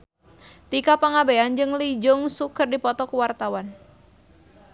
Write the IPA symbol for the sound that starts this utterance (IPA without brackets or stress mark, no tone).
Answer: t̪